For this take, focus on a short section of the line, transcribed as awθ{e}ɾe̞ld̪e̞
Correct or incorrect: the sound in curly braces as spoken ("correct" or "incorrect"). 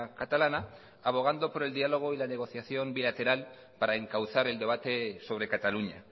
incorrect